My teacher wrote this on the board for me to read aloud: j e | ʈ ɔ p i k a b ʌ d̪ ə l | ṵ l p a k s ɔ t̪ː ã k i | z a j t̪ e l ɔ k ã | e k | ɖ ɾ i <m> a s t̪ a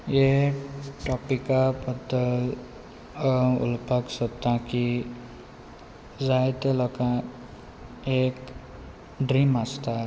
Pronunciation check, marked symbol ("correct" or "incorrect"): correct